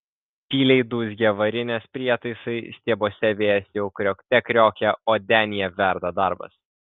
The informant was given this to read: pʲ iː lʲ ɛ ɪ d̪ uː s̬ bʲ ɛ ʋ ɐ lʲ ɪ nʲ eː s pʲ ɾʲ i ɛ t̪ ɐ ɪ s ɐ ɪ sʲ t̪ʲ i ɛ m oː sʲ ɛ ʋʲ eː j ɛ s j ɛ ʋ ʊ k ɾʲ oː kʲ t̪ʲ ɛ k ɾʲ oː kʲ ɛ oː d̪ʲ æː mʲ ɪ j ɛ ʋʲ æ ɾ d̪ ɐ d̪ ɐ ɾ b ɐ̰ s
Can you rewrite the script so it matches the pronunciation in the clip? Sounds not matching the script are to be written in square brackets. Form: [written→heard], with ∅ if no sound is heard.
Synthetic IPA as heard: pʲ iː lʲ ɛ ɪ d̪ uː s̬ [bʲ→ɡʲ] ɛ ʋ ɐ [lʲ→ɾʲ] ɪ nʲ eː s pʲ ɾʲ i ɛ t̪ ɐ ɪ s ɐ ɪ sʲ t̪ʲ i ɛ [m→b] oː sʲ ɛ ʋʲ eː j ɛ s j ɛ [ʋ→∅] ʊ k ɾʲ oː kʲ t̪ʲ ɛ k ɾʲ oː kʲ ɛ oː d̪ʲ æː [mʲ→nʲ] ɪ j ɛ ʋʲ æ ɾ d̪ ɐ d̪ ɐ ɾ b ɐ̰ s